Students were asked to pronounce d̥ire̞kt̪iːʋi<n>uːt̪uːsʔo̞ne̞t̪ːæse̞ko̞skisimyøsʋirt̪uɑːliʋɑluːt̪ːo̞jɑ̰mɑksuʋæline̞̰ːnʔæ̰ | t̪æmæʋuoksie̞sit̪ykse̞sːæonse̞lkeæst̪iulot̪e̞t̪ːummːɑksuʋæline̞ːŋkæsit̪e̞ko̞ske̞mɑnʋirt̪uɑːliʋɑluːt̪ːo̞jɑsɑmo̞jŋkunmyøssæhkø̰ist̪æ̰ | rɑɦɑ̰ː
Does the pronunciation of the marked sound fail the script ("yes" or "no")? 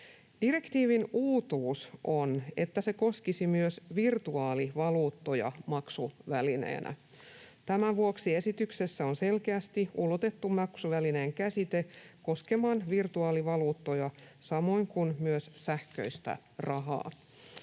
no